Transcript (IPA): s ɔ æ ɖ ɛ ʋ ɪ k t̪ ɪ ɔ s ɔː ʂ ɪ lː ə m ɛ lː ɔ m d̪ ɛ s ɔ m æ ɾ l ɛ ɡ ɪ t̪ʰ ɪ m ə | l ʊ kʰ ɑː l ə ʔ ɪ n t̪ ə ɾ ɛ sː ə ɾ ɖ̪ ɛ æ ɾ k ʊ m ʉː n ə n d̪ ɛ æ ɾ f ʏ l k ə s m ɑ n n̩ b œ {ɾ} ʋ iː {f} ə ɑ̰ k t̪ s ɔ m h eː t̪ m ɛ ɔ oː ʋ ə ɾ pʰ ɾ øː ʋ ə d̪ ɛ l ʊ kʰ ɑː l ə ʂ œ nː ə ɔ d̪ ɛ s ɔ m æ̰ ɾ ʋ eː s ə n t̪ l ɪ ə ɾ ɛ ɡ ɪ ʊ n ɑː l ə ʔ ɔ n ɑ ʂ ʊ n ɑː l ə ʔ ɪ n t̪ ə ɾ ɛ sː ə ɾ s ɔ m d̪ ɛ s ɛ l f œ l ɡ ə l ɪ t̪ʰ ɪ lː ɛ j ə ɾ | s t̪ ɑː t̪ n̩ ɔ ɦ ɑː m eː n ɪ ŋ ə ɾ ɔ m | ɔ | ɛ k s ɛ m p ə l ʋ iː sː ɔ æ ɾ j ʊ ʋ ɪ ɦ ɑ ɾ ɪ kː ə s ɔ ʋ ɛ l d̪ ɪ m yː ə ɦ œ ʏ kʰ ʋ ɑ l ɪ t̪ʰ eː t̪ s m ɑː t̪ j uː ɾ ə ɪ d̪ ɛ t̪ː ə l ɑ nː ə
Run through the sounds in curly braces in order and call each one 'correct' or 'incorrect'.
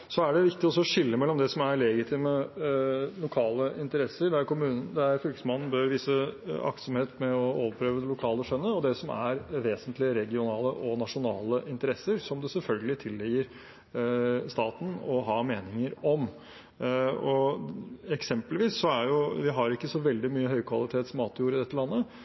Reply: correct, incorrect: s

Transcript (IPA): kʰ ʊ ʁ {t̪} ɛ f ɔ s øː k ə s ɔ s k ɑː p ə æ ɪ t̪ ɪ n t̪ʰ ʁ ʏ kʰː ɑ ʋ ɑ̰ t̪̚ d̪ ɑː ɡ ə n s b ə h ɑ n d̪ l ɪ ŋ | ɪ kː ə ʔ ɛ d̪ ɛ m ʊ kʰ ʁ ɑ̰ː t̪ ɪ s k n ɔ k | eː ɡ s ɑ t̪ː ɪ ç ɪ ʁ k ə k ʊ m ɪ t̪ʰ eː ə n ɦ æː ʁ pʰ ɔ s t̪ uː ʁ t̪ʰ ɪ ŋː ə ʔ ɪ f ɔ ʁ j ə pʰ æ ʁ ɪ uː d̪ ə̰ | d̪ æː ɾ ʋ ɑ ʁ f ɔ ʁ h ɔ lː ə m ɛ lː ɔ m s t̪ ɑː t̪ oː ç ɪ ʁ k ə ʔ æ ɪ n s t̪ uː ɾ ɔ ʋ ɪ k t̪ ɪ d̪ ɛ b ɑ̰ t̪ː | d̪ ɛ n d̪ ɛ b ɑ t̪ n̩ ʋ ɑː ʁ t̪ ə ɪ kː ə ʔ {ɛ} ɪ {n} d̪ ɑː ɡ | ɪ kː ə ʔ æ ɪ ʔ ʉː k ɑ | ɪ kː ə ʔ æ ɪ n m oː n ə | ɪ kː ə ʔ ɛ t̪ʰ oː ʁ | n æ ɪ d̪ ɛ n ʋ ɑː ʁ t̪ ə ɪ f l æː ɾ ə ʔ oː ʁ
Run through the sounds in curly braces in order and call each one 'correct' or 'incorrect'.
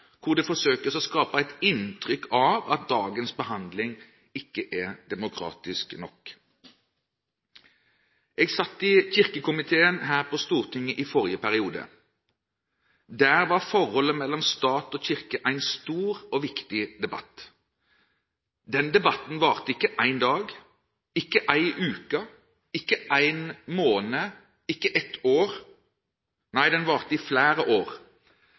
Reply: incorrect: d̪, incorrect: æ, correct

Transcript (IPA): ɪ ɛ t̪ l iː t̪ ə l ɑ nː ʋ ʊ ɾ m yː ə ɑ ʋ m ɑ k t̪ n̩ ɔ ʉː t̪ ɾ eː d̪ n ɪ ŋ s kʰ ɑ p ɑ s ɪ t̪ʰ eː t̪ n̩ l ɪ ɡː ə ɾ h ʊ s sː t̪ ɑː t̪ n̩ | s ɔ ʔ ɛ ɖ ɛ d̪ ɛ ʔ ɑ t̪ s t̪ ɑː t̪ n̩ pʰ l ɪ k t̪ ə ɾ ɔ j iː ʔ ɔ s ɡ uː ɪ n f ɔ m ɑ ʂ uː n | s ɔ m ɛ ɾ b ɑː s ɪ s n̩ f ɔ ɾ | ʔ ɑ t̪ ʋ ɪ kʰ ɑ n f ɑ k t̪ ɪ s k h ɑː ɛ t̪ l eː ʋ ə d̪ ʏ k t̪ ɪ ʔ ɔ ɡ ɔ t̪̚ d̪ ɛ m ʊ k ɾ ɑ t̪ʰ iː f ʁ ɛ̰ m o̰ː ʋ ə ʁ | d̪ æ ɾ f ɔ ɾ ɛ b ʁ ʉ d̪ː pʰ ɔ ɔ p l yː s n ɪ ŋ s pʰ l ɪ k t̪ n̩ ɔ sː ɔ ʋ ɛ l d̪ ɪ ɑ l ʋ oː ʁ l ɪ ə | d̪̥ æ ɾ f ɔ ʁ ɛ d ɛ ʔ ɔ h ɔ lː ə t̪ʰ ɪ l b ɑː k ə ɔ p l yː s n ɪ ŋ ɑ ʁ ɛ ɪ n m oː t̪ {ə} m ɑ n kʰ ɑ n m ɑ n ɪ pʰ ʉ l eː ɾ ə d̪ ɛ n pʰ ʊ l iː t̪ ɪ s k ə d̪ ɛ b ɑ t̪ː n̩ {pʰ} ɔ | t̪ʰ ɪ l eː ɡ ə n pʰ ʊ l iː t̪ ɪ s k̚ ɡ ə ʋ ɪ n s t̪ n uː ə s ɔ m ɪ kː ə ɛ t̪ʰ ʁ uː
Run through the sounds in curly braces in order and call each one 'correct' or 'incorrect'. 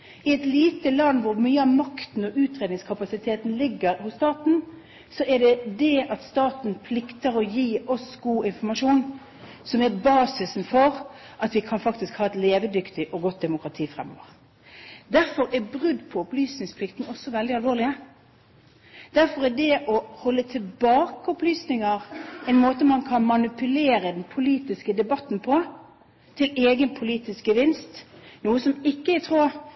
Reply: correct, correct

